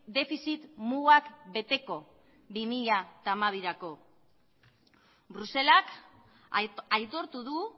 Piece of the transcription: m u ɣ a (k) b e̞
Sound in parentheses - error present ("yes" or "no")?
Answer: no